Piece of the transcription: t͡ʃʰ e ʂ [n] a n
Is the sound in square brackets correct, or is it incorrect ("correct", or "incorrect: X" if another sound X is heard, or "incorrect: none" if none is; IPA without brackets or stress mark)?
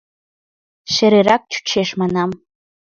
incorrect: m